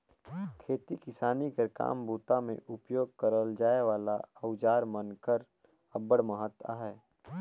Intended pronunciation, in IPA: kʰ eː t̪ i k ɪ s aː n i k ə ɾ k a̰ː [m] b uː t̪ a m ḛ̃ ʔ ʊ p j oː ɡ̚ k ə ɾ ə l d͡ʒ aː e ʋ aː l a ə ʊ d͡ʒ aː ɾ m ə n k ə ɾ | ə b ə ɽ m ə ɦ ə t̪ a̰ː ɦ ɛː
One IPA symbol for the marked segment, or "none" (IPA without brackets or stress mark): m